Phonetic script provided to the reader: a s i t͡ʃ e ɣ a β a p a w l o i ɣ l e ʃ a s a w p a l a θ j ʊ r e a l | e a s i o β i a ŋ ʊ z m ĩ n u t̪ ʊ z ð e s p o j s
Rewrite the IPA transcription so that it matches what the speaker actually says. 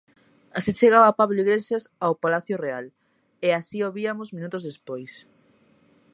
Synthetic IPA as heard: a s i t͡ʃ e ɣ a β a p a β l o i ɣ l e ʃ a s a w p a l a θ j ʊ r e a l | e a s i o β i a m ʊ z m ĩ n u t̪ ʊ z ð e s p o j s